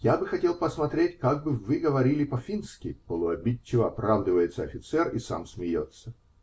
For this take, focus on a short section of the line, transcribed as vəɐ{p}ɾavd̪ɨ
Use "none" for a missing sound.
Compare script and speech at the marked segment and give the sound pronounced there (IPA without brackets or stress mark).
p